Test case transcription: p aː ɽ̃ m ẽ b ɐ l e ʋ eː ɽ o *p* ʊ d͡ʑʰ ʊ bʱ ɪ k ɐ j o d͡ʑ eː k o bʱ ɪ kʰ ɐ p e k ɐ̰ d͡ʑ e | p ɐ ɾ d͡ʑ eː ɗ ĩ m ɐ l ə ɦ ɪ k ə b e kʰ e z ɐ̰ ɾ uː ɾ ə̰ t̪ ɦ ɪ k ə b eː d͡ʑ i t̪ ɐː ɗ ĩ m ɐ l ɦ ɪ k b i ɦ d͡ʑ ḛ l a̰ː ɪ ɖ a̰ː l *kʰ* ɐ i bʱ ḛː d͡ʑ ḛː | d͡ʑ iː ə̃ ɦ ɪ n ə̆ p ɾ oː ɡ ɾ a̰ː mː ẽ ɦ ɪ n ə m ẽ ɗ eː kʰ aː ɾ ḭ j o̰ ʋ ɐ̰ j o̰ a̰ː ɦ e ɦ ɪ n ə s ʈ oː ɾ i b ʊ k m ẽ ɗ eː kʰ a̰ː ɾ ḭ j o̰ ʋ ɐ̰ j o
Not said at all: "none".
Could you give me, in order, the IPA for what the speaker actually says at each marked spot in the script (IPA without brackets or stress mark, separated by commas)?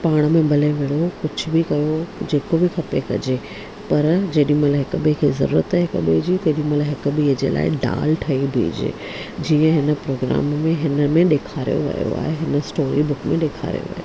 k, ʈʰ